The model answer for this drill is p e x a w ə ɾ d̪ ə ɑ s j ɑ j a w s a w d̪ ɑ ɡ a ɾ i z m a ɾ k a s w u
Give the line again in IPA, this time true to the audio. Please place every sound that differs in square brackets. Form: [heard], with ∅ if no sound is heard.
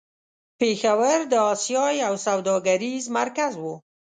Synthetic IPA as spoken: p e x a w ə ɾ d̪ ə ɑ s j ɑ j a w s a w d̪ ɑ ɡ a ɾ i z m a ɾ k a [z] w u

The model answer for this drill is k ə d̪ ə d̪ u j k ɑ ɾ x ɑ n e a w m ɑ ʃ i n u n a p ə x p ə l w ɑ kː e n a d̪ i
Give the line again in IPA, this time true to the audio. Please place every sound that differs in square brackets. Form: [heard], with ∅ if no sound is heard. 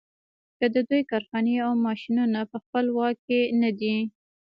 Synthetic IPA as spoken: k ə d̪ ə d̪ u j k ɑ ɾ x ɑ n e a w m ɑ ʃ i n u n a p ə x p ə l w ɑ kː e n a d̪ i

